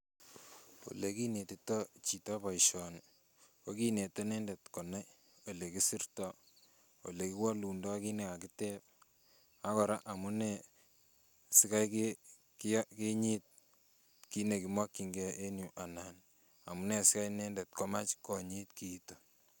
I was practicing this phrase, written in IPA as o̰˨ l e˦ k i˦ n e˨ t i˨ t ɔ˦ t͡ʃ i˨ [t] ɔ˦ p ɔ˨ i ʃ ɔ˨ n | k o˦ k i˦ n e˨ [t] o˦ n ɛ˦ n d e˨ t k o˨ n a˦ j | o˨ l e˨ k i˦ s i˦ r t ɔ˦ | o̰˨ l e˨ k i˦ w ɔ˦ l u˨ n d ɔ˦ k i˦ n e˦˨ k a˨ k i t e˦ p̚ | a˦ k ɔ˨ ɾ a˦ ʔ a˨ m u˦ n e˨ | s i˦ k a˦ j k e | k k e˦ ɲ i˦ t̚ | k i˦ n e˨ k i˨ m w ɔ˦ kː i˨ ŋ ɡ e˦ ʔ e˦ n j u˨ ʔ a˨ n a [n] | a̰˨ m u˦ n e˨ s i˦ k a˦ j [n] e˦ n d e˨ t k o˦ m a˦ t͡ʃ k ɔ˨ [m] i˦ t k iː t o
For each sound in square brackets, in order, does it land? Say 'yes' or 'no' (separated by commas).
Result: yes, yes, yes, yes, no